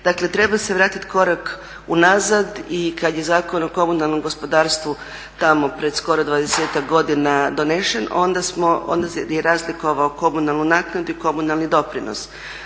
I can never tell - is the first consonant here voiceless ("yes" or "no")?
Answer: no